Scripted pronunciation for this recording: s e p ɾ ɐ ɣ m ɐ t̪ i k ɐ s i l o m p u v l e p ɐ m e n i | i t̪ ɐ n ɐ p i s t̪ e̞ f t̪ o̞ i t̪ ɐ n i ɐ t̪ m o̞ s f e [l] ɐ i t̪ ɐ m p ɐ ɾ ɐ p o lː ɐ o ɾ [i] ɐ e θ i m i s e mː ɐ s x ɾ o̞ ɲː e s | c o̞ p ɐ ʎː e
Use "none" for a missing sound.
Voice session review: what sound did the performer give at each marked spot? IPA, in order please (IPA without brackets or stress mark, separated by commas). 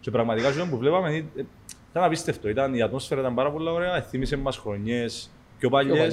ɾ, e